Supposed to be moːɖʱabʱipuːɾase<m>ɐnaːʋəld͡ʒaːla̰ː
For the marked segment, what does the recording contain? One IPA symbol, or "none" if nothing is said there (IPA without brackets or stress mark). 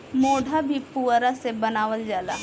b